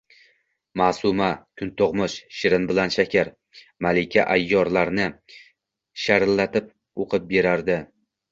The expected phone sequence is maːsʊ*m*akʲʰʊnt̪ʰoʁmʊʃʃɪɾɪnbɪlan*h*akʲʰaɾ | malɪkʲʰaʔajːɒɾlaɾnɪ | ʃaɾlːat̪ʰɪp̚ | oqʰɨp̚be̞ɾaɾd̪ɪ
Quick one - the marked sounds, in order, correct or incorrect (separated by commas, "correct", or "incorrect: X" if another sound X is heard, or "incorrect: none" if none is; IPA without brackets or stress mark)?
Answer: correct, incorrect: ʃ